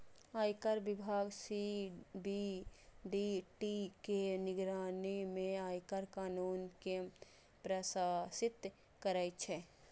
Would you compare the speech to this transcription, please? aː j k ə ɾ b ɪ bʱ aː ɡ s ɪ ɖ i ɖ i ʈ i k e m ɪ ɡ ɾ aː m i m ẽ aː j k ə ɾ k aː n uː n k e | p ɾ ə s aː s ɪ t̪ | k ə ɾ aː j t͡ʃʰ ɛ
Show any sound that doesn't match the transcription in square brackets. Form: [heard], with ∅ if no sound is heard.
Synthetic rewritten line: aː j k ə ɾ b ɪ bʱ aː ɡ s [i] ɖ i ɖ i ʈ i k e [n] ɪ ɡ ɾ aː [n] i m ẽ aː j k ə ɾ k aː n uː n k e | p ɾ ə s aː s ɪ t̪ | k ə ɾ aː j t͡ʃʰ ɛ

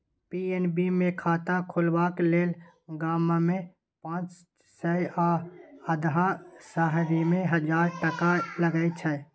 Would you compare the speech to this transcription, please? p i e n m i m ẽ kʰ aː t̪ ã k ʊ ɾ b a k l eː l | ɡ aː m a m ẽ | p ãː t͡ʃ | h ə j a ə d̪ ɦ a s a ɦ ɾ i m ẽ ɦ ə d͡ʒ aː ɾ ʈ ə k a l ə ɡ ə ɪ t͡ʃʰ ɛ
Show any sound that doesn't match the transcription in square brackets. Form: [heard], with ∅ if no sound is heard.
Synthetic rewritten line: p i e n [b] i m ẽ kʰ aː t̪ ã [kʰ] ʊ [l] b a k l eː l | ɡ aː m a m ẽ | p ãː t͡ʃ | [s] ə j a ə d̪ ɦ a s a ɦ ɾ i m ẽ ɦ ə d͡ʒ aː ɾ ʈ ə k a l ə ɡ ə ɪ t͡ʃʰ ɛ

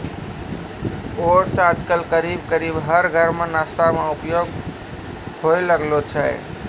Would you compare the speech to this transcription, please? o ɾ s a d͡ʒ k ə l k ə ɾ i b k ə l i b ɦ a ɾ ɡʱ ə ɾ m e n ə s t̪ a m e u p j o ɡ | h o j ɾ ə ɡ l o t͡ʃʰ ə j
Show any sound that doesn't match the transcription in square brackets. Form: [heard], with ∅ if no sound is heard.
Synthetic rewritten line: o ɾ s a d͡ʒ k ə l k ə ɾ i b k ə [ɾ] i b ɦ [ə] ɾ ɡʱ ə ɾ m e n [a] s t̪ a m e u p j o ɡ | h o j [l] ə ɡ l o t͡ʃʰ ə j

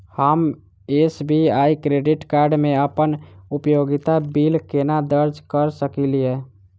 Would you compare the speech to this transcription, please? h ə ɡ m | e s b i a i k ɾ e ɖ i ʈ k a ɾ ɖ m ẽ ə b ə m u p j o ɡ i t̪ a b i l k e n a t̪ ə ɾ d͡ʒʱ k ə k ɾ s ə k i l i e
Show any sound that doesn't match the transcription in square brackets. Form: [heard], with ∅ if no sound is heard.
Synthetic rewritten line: h ə [∅] m | e s b i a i k ɾ e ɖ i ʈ k a ɾ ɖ m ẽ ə [p] ə [n] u p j o ɡ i t̪ a b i l k e n a [d̪] ə ɾ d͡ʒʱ k ə [∅] ɾ s ə k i l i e

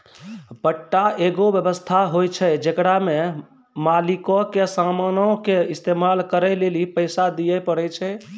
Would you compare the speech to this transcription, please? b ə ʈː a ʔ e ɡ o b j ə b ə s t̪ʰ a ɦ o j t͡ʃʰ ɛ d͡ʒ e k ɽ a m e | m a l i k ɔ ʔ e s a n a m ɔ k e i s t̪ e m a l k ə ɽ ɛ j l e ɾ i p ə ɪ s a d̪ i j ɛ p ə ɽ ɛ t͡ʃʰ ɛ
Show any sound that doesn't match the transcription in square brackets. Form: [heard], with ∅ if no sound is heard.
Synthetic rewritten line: b ə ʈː a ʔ e ɡ o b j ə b ə s t̪ʰ a ɦ o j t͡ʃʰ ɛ d͡ʒ e k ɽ a m e | m a l i k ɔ [k] e s a [m] a [n] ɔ k e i s t̪ e m a l k ə [ɾ] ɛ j l e [l] i p ə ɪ s a d̪ i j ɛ p ə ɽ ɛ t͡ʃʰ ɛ

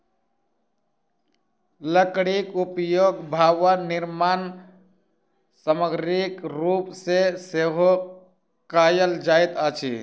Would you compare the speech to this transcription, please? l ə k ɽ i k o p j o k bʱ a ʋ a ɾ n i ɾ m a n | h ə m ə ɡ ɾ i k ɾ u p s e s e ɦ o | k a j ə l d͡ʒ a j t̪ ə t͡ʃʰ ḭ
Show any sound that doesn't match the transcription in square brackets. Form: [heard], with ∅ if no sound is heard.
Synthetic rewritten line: l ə k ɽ i k [u] p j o [ɡ] bʱ a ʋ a [∅] n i ɾ m a n | [s] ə m ə ɡ ɾ i k ɾ u p s e s e ɦ o | k a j ə l d͡ʒ a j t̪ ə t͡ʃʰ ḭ

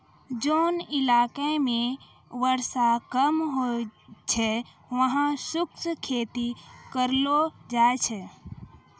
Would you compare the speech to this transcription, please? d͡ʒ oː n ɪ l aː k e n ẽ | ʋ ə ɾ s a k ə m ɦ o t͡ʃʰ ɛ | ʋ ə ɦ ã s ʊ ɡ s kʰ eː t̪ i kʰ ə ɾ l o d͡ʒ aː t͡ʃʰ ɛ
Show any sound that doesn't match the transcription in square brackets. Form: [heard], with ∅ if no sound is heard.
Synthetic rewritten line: d͡ʒ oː n ɪ l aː k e [m] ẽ | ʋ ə ɾ s a k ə m ɦ o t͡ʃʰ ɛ | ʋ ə ɦ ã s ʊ [k] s kʰ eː t̪ i [k] ə ɾ l o d͡ʒ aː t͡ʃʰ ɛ

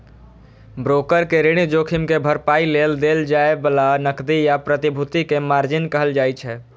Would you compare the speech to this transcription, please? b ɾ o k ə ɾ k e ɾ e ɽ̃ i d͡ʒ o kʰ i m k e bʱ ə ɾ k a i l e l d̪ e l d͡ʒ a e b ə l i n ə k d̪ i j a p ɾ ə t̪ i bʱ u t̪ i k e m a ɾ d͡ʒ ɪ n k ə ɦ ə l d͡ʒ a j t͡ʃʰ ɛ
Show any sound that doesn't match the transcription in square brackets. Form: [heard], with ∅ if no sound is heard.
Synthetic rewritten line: b ɾ o k ə ɾ k e ɾ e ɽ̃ i d͡ʒ o kʰ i m k e bʱ ə ɾ [p] a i l e l d̪ e l d͡ʒ a e b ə l [a] n ə k d̪ i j a p ɾ ə t̪ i bʱ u t̪ i k e m a ɾ d͡ʒ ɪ n k ə ɦ ə l d͡ʒ a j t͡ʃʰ ɛ

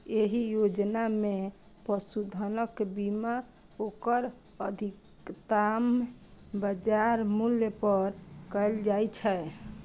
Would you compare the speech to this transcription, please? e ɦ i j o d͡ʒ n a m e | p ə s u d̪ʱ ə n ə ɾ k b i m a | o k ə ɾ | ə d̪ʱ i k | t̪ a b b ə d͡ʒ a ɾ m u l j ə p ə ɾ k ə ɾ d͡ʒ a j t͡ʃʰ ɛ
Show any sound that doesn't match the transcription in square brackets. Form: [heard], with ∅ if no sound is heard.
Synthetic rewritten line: e ɦ i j o d͡ʒ n a m e | p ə s u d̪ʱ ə n ə [∅] k b i m a | o k ə ɾ | ə d̪ʱ i k | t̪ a [m] b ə d͡ʒ a ɾ m u l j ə p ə ɾ k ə [l] d͡ʒ a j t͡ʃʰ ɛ

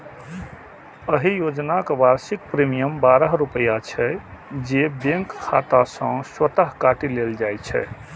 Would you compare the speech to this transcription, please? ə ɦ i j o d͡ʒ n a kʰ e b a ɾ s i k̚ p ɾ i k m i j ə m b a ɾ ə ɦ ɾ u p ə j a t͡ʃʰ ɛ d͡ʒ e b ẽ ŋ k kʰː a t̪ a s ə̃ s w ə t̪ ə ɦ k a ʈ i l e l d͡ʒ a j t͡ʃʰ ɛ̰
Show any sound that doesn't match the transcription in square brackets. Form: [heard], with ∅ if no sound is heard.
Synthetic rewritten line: ə ɦ i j o d͡ʒ n a [k] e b a ɾ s i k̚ p ɾ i [∅] m i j ə m b a ɾ ə ɦ ɾ u p ə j a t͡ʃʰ ɛ d͡ʒ e b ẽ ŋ k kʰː a t̪ a s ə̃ s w ə t̪ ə ɦ k a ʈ i l e l d͡ʒ a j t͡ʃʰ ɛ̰

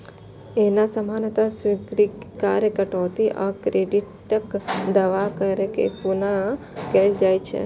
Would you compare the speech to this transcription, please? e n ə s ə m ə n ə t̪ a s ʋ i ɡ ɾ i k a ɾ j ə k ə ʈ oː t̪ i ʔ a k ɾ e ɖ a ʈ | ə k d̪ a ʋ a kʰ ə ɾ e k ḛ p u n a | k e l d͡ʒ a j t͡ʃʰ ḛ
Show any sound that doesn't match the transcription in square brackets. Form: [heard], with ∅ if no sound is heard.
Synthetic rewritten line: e n [a] s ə m [a] n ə t̪ a s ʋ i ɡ ɾ i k a ɾ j ə k ə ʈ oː t̪ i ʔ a k ɾ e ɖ [i] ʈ | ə k d̪ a ʋ a [k] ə ɾ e k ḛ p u n a | k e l d͡ʒ a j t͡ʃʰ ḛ

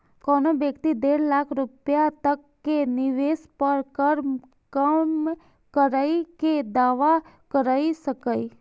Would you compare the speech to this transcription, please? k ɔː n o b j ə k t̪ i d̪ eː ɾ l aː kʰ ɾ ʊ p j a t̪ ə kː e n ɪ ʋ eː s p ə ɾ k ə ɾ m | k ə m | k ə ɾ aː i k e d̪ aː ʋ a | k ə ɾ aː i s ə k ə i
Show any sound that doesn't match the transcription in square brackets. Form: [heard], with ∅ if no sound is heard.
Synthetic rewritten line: k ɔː n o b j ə k t̪ i d̪ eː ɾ l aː kʰ ɾ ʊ p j a t̪ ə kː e n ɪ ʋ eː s p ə ɾ k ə ɾ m | k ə m | k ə ɾ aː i k e d̪ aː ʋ a | k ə ɾ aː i s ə k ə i

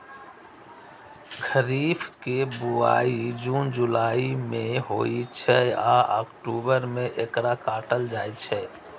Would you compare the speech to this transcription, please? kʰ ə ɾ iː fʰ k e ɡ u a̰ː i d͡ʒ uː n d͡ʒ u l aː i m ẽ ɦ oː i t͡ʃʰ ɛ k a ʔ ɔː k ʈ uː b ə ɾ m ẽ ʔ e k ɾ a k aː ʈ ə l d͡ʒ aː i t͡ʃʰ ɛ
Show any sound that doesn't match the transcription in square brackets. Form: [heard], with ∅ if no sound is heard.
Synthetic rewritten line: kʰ ə ɾ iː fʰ k e [b] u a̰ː i d͡ʒ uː n d͡ʒ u l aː i m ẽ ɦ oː i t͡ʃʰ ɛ [∅] a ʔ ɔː k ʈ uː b ə ɾ m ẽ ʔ e k ɾ a k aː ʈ ə l d͡ʒ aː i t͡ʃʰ ɛ

